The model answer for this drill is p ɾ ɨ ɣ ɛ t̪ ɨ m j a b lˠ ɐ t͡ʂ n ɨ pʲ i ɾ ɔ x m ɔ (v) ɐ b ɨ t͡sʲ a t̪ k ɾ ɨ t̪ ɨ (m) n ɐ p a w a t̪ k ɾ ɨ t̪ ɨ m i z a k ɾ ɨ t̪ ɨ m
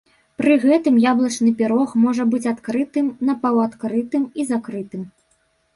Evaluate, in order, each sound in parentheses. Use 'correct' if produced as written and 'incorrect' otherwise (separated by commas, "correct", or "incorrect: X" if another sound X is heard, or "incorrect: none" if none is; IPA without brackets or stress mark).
incorrect: ʐ, correct